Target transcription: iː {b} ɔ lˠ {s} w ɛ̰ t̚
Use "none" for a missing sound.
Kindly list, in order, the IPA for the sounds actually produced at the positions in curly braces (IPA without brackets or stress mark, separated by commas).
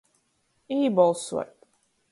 b, s